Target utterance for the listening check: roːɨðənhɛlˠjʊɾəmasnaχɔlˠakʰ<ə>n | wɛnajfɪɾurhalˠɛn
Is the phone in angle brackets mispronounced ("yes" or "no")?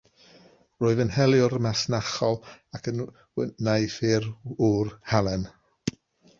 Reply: no